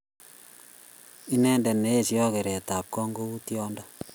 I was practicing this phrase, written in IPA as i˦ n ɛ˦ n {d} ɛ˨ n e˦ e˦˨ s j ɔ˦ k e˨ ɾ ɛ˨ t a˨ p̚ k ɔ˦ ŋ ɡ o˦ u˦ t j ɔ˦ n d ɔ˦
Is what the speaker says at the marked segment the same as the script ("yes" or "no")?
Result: yes